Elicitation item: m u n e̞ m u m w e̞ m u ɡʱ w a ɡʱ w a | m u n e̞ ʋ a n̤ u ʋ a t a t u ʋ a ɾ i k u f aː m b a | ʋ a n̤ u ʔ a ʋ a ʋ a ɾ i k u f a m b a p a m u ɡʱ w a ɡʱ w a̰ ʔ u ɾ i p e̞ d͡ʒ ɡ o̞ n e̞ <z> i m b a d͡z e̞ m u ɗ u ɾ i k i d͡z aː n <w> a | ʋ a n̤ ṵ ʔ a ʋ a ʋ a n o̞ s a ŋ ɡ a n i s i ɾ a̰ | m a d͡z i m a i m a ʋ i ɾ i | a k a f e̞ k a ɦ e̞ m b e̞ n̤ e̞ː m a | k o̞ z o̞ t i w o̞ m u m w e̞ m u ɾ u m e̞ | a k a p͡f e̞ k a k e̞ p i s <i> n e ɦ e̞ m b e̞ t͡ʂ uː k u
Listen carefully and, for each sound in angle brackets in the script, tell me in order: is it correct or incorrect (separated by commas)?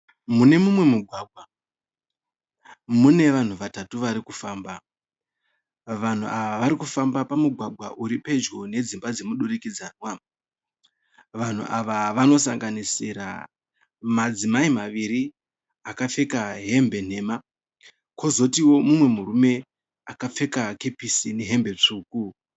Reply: incorrect, correct, correct